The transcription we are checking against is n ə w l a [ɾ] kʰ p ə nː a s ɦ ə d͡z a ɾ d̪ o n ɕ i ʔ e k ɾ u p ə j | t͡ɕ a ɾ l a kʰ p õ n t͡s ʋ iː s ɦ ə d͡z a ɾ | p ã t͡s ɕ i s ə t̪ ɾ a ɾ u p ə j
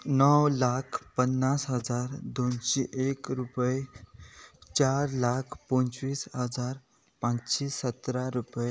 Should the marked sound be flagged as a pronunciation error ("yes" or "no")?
yes